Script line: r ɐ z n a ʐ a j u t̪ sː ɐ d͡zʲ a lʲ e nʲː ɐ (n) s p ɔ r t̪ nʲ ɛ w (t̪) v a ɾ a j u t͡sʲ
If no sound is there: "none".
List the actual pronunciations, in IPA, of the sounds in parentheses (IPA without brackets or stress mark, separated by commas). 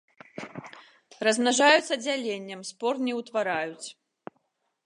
m, t̪